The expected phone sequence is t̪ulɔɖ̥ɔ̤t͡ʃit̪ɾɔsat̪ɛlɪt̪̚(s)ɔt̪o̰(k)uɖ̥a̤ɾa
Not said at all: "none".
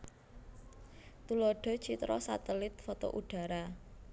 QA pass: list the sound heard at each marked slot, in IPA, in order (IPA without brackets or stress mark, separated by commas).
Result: f, ʔ